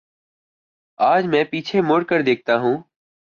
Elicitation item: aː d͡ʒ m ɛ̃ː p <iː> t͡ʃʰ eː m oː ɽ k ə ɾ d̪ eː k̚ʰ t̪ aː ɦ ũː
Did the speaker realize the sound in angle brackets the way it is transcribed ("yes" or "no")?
yes